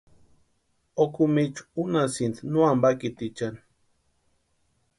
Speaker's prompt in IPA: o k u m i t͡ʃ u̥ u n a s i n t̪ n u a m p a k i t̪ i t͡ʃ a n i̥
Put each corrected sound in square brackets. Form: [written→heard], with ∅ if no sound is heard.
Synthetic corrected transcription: o k u m i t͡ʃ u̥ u n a s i n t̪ n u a m [p→b] a k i t̪ i t͡ʃ a n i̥